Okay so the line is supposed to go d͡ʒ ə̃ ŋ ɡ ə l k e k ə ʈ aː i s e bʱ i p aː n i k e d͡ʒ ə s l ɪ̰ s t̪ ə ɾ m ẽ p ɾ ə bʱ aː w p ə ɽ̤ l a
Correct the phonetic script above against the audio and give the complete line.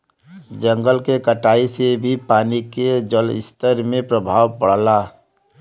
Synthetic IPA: d͡ʒ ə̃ ŋ ɡ ə l k e k ə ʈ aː i s e bʱ i p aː n i k e d͡ʒ ə l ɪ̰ s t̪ ə ɾ m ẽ p ɾ ə bʱ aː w p ə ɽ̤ l a